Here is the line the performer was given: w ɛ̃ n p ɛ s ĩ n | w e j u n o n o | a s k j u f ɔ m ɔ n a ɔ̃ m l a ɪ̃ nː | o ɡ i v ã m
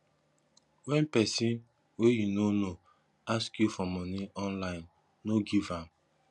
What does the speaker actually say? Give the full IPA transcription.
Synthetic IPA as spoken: w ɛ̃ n p ɛ s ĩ n | w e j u n o n o | a s k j u f ɔ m ɔ n i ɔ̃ n l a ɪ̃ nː | o ɡ i v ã m